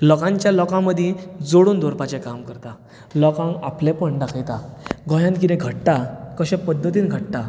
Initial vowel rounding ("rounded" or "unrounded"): rounded